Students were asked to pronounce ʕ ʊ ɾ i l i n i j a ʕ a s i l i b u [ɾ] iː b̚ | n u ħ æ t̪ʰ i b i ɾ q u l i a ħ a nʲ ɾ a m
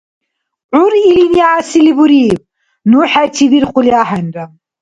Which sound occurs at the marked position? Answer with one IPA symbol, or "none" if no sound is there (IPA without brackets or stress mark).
ɾ